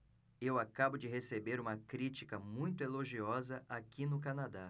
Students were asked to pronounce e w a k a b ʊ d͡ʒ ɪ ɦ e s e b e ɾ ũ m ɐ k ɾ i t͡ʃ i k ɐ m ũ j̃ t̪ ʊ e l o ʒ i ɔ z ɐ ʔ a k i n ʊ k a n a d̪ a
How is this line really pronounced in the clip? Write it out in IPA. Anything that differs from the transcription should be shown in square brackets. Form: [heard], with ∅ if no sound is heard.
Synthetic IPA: e w a k a b ʊ d͡ʒ ɪ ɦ e s e b e ɾ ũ m ɐ k ɾ i t͡ʃ i k ɐ m ũ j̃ t̪ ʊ e l o ʒ i ɔ z ɐ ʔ a k i n ʊ k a n a d̪ a